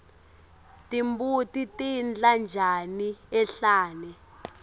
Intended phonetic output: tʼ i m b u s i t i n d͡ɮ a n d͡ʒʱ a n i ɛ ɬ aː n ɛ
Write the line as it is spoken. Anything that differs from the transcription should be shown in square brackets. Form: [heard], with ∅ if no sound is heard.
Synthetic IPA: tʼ i m b u [t] i t i n d͡ɮ a n d͡ʒʱ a n i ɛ ɬ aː n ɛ